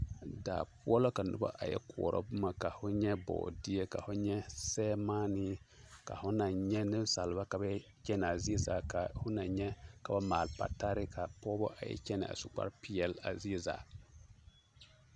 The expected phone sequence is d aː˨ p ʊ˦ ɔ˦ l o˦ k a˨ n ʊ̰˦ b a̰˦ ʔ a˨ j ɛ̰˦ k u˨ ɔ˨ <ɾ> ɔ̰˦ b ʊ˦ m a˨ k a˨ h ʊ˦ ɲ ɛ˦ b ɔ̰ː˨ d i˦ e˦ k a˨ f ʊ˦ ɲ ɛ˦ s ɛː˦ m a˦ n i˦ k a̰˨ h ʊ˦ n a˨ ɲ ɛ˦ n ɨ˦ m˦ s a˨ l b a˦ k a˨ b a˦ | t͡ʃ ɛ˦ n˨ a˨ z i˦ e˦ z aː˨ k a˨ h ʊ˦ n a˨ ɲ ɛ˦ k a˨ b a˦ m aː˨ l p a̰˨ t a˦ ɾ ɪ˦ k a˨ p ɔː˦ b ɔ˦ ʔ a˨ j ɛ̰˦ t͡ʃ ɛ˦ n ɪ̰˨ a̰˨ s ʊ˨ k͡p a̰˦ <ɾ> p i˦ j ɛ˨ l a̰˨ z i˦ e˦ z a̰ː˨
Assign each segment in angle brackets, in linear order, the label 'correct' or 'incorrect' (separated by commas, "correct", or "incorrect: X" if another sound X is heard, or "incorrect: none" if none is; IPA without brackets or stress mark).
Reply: correct, correct